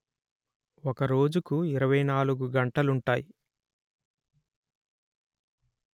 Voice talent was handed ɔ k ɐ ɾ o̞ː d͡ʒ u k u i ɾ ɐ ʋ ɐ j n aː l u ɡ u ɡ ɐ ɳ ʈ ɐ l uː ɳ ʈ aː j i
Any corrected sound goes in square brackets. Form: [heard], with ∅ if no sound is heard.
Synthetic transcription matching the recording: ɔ k ɐ ɾ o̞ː d͡ʒ u k u i ɾ ɐ ʋ ɐ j n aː l u ɡ u ɡ ɐ ɳ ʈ ɐ l [u] ɳ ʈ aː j i

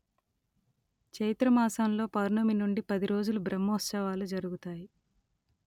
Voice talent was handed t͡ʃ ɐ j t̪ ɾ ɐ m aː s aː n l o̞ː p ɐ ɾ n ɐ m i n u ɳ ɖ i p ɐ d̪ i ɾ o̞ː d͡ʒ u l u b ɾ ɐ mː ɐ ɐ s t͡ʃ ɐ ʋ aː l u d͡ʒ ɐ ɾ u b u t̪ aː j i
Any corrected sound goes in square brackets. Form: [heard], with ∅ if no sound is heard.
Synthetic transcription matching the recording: t͡ʃ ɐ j t̪ ɾ ɐ m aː s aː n l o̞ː p ɐ ɾ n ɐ m i n u ɳ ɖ i p ɐ d̪ i ɾ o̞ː d͡ʒ u l u b ɾ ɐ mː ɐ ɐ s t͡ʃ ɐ ʋ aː l u d͡ʒ ɐ ɾ u [ɡ] u t̪ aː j i

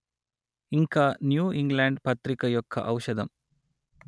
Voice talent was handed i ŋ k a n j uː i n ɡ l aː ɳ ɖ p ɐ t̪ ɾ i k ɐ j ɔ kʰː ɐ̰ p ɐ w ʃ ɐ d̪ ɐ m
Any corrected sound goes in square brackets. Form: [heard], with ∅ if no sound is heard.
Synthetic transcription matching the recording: i ŋ k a n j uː i [ŋ] ɡ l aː ɳ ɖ p ɐ t̪ ɾ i k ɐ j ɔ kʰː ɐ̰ [ʔ] ɐ w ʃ ɐ d̪ ɐ m

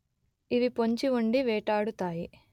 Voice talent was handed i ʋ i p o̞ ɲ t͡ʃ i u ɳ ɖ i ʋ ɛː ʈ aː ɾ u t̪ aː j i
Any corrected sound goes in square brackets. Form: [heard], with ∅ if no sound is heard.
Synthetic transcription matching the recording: i ʋ i p o̞ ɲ t͡ʃ i u ɳ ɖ i ʋ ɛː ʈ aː [ɽ] u t̪ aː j i

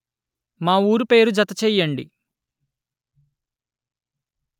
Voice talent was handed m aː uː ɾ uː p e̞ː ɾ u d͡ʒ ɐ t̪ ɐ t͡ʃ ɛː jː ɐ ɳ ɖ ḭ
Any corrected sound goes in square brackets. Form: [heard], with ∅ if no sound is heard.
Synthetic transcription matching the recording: m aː uː ɾ [u] p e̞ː ɾ u d͡ʒ ɐ t̪ ɐ t͡ʃ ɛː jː ɐ ɳ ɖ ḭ

